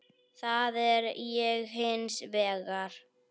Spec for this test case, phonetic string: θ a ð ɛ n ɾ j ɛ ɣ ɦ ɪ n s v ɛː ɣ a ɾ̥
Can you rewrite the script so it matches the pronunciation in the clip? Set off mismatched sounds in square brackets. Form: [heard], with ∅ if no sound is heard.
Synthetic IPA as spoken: θ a ð ɛ [∅] ɾ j ɛ ɣ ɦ ɪ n s v ɛː ɣ a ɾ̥